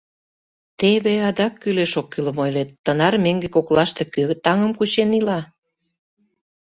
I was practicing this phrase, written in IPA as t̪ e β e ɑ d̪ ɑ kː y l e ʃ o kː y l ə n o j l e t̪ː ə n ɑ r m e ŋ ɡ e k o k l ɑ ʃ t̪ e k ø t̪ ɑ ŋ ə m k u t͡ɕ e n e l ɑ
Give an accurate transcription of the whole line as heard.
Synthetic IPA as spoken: t̪ e β e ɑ d̪ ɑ kː y l e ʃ o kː y l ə m o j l e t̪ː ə n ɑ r m e ŋ ɡ e k o k l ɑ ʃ t̪ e k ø t̪ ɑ ŋ ə m k u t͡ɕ e n i l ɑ